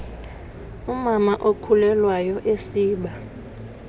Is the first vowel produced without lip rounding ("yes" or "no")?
no